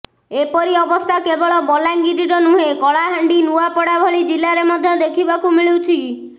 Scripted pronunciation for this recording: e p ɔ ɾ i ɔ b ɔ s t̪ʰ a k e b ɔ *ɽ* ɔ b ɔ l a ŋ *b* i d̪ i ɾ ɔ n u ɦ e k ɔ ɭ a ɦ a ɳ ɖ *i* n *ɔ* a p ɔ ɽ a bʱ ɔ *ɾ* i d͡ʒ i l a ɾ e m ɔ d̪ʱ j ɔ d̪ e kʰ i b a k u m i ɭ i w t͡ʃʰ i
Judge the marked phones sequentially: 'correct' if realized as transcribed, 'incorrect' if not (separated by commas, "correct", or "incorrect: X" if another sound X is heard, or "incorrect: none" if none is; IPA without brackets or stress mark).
incorrect: ɭ, incorrect: ɡ, correct, incorrect: u, incorrect: ɭ